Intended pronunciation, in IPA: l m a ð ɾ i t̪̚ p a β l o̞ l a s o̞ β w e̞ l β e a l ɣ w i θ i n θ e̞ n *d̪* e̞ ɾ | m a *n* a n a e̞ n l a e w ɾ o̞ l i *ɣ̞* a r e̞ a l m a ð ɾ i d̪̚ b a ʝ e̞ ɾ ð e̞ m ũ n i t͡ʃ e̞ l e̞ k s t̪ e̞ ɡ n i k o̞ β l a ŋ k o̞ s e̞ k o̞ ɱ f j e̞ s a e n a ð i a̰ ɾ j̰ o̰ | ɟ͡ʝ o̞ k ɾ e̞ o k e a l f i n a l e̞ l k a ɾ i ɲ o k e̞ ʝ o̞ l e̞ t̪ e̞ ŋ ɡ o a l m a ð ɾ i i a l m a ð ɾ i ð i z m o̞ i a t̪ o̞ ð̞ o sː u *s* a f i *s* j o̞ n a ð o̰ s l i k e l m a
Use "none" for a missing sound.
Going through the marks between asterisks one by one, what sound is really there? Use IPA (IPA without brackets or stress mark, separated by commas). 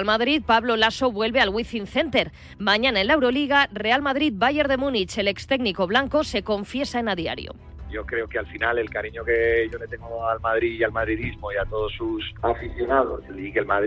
t̪, ɲ, ɣ̞, s, θ